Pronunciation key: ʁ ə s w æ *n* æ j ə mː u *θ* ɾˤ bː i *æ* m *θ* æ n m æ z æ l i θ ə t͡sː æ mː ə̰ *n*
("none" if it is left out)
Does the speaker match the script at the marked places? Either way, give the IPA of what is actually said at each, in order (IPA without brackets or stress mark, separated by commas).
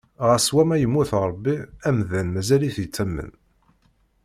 m, θ, æ, ð, n